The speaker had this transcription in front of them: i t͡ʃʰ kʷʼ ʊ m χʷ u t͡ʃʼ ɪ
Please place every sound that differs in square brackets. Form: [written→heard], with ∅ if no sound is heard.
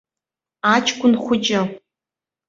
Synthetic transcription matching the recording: [i→a] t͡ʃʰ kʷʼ ʊ [m→n] χʷ [u→ʊ] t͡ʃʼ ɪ